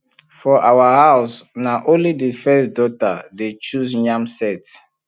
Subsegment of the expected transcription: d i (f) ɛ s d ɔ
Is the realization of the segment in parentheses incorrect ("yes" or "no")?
no